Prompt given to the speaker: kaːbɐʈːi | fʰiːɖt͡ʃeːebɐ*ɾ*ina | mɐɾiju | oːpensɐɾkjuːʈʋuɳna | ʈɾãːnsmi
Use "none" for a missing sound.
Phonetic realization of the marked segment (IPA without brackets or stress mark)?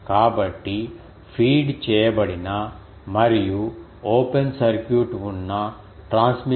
ɽ